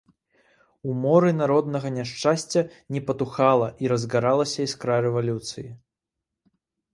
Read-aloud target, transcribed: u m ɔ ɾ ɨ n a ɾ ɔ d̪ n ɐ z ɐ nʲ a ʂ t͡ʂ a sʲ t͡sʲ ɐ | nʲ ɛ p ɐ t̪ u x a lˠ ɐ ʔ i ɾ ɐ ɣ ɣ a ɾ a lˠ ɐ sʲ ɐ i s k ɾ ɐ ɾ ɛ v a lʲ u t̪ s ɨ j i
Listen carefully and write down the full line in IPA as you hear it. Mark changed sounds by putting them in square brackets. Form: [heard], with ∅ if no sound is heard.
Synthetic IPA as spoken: u m ɔ ɾ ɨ n a ɾ ɔ d̪ n ɐ [ɣ] ɐ nʲ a ʂ t͡ʂ a sʲ t͡sʲ ɐ | nʲ ɛ p ɐ t̪ u x a lˠ ɐ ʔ i ɾ ɐ [z] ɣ a ɾ a lˠ ɐ sʲ ɐ i s k ɾ [a] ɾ ɛ v a lʲ u t̪ s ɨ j i